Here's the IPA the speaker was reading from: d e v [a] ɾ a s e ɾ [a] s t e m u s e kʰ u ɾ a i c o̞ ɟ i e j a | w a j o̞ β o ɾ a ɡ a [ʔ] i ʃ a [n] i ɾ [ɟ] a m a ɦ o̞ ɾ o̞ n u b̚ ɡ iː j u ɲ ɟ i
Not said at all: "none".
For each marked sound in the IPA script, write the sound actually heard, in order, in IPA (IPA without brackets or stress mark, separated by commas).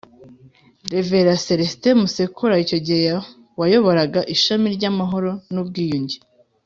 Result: e, e, ʔ, m, ɟ